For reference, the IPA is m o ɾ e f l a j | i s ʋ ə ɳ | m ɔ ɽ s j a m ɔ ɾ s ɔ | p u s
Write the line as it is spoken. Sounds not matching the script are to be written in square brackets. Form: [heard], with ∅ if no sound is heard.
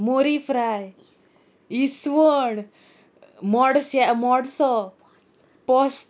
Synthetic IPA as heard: m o ɾ [i] f [ɾ] a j | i s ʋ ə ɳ | m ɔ ɽ s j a m ɔ [ɽ] s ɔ | p [ɔ] s